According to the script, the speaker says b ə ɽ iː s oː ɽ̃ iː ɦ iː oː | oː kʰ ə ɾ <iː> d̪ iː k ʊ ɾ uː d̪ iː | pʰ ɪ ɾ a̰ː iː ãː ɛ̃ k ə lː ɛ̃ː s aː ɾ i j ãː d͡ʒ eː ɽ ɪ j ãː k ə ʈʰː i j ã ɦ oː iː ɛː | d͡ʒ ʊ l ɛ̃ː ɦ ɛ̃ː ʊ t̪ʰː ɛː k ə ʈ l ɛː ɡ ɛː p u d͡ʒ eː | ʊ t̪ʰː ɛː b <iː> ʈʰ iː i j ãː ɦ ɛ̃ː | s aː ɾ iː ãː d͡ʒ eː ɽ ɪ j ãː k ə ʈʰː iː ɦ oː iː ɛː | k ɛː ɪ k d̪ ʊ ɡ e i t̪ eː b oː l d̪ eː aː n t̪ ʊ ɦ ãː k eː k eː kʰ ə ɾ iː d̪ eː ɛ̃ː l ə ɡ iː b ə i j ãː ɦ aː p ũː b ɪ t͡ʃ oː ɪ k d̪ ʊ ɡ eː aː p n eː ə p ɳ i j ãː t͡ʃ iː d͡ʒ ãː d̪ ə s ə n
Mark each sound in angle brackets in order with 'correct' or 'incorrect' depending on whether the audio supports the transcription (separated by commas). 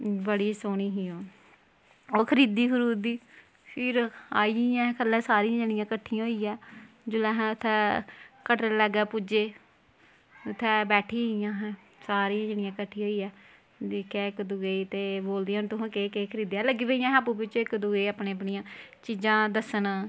correct, incorrect